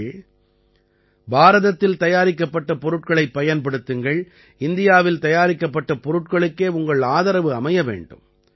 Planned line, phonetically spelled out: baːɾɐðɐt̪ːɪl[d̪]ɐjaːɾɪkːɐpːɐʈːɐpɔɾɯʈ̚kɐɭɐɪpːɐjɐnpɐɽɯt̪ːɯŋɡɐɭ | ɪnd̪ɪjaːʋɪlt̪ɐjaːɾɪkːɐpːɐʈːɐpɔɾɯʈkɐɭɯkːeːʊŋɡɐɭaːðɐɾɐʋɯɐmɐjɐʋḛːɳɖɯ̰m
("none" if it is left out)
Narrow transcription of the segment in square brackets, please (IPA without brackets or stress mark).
t̪